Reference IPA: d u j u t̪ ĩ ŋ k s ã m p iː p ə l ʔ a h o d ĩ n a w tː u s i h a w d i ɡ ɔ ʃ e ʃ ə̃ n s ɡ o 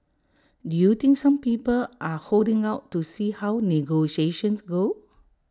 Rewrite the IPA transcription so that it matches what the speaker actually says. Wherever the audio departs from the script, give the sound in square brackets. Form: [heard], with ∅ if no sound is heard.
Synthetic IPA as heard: d u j u t̪ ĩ ŋ k s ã m p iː p ə l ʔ a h o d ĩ [ŋ] a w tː u s i h a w [n] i ɡ [o] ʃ e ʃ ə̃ n s ɡ o